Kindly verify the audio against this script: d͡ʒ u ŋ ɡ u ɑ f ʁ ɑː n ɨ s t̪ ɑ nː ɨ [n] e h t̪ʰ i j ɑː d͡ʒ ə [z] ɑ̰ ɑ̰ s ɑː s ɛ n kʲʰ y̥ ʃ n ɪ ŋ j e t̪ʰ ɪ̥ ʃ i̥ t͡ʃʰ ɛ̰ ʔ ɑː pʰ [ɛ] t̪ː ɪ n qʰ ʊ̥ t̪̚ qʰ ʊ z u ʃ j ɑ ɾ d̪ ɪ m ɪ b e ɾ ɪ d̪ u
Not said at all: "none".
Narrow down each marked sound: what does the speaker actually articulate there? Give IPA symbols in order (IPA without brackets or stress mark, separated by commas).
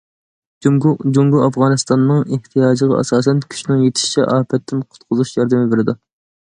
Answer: ŋ, ʁ, ɛ